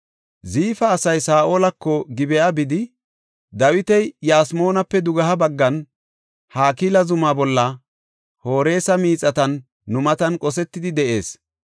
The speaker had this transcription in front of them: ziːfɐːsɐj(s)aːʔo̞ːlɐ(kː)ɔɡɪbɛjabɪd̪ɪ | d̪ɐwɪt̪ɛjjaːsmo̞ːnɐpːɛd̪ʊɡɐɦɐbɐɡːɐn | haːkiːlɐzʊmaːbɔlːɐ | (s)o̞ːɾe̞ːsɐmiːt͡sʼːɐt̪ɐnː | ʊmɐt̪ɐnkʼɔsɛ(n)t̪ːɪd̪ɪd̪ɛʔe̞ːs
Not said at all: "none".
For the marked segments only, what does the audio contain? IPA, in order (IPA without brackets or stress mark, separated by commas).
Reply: s, kː, h, none